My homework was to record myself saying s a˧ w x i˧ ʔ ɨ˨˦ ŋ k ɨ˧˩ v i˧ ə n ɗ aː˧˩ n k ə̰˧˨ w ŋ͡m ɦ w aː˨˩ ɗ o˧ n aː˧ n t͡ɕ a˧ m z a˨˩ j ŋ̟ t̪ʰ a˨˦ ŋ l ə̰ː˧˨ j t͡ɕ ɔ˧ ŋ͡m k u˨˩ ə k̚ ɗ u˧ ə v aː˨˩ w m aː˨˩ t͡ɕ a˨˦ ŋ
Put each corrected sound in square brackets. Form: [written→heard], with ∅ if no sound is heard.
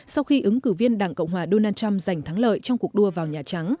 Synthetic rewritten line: s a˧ w x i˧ ʔ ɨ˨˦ ŋ k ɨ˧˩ v i˧ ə n ɗ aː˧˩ [n→ŋ] k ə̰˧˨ w ŋ͡m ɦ w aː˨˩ ɗ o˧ n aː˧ n t͡ɕ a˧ m z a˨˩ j ŋ̟ t̪ʰ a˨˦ ŋ l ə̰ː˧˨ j t͡ɕ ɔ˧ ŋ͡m k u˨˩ ə k̚ ɗ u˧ ə v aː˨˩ w [m→ɲ] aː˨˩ t͡ɕ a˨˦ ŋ